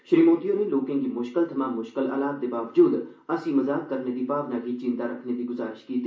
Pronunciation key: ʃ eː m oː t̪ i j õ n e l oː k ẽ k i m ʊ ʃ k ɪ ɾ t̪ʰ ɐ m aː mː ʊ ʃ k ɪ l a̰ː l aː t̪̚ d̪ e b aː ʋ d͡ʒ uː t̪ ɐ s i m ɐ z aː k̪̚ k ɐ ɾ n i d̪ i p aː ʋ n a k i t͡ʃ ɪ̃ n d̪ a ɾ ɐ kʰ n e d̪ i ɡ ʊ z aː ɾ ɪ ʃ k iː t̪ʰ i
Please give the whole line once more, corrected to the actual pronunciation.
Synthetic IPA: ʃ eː m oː t̪ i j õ n e l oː k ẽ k i m ʊ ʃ k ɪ l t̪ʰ ɐ m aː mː ʊ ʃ k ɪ l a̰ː l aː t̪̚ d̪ e b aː ʋ d͡ʒ uː d̪ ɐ s i m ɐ z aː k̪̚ k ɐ ɾ n e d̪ i p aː ʋ n a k i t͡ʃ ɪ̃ n d̪ a ɾ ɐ kʰ n e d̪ i ɡ ʊ z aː ɾ ɪ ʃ k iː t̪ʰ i